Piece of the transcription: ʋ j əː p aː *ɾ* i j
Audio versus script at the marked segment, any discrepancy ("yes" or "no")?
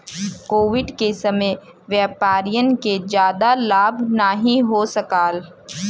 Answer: no